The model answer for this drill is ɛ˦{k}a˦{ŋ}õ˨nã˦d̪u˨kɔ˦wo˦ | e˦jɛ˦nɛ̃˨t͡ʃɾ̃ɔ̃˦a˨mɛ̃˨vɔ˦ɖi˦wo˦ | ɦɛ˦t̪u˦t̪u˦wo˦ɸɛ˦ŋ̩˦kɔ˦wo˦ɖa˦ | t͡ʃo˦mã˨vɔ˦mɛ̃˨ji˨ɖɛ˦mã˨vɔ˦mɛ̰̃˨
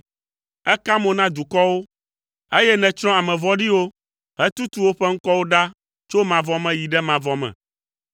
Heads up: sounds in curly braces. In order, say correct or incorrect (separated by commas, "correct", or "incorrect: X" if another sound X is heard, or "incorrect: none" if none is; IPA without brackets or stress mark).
correct, incorrect: m